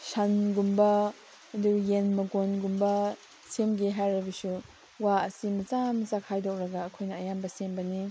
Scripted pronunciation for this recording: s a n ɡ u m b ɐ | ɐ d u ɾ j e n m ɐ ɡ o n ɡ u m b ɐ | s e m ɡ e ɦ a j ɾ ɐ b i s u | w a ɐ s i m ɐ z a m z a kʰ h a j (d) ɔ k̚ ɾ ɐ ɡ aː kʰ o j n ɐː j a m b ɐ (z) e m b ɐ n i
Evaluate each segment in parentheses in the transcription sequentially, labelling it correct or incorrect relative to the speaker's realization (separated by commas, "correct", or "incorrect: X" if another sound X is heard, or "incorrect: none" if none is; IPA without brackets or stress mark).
correct, incorrect: s